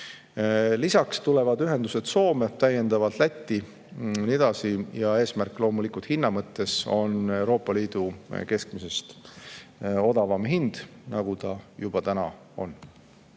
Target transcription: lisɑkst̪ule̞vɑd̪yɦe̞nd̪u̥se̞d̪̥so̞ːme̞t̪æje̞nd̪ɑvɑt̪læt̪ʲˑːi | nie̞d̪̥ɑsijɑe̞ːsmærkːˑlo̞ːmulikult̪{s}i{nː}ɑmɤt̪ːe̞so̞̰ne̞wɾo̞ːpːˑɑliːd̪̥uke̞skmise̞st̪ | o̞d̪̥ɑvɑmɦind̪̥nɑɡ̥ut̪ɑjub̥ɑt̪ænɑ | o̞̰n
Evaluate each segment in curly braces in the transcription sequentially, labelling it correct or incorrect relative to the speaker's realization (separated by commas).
incorrect, correct